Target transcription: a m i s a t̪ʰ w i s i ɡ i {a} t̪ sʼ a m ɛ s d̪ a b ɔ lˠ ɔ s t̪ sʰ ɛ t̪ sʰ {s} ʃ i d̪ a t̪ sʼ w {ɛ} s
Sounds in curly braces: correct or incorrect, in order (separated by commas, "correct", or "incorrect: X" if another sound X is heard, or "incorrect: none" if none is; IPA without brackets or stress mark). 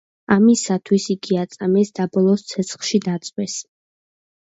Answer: correct, incorrect: χ, correct